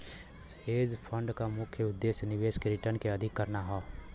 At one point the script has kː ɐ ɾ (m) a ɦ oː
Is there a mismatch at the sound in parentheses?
yes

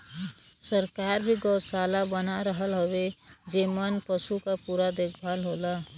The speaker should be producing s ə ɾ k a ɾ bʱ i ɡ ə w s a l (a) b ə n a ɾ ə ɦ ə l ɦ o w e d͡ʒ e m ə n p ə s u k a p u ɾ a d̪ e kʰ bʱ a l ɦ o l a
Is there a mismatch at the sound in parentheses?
no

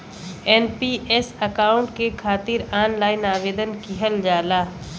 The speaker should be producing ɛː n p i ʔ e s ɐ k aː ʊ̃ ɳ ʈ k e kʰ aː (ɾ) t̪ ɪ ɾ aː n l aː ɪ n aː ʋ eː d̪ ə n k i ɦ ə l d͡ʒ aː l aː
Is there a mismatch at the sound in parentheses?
yes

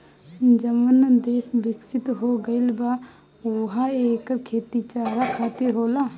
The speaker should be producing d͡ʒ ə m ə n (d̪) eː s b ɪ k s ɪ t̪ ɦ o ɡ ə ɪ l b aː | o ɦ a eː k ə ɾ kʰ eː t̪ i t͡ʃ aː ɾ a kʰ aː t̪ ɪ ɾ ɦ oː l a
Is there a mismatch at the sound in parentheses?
no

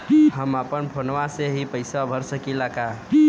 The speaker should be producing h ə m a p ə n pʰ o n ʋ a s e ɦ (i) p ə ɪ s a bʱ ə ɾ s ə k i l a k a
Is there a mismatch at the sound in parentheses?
no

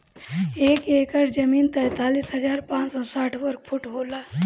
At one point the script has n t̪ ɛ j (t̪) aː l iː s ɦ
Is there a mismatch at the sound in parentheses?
no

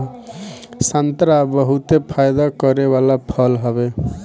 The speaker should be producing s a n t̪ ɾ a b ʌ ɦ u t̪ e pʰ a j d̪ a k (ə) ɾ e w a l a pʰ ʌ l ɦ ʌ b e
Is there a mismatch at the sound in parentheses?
yes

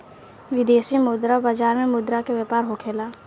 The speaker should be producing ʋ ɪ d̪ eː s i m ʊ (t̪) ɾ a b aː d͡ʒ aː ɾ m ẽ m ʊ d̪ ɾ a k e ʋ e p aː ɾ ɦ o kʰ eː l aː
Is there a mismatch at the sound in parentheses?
yes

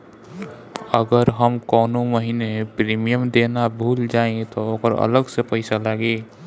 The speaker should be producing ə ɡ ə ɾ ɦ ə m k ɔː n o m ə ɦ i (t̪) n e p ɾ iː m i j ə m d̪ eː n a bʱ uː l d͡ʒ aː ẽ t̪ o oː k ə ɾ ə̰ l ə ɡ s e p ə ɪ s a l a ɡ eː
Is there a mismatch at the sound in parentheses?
yes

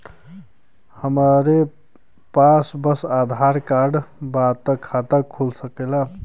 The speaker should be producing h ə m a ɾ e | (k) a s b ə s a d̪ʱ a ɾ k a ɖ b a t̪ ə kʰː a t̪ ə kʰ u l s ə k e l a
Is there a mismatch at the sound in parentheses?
yes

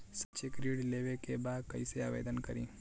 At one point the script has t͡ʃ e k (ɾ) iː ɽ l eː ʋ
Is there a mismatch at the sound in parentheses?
no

